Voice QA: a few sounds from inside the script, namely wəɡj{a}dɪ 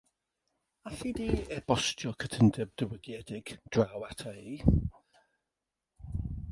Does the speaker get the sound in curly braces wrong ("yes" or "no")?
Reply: yes